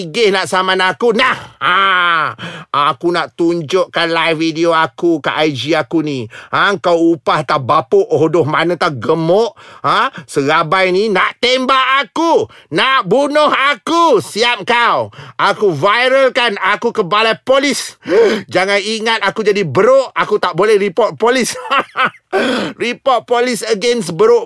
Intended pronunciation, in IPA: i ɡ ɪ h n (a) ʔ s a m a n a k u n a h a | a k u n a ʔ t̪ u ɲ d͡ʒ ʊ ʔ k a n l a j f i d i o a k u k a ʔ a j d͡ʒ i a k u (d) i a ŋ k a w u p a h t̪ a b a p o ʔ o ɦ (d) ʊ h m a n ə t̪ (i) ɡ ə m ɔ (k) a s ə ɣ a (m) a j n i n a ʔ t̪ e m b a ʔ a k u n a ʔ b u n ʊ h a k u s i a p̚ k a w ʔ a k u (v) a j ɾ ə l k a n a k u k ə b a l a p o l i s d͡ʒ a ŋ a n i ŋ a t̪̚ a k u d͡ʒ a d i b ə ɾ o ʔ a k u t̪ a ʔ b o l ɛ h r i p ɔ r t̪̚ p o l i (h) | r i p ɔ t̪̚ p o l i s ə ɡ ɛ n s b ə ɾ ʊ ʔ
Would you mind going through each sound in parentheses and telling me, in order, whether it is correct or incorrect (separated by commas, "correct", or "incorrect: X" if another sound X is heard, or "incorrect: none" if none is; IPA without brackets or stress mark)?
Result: correct, incorrect: n, correct, incorrect: a, incorrect: ʔ, incorrect: b, correct, incorrect: s